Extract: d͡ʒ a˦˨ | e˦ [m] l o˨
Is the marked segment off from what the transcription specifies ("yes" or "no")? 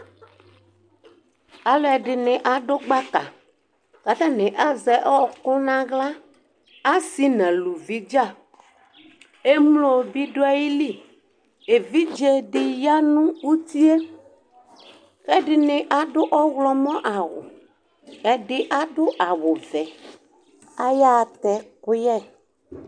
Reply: no